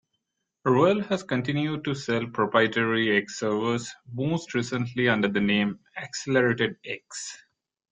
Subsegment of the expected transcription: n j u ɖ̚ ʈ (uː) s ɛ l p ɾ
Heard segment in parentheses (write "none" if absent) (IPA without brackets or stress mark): u